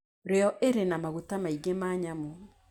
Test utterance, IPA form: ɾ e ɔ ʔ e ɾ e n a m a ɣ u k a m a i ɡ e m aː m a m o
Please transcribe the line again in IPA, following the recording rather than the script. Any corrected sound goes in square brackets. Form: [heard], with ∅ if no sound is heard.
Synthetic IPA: ɾ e ɔ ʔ e ɾ e n a m a ɣ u [t] a m a i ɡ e m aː [ɲ] a m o